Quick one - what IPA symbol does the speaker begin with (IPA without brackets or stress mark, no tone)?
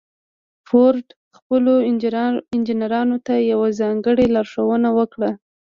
f